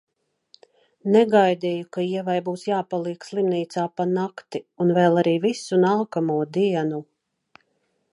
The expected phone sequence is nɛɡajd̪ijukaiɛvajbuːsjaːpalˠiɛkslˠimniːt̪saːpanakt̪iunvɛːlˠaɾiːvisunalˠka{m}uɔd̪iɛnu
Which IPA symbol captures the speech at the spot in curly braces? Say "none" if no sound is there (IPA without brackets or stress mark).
m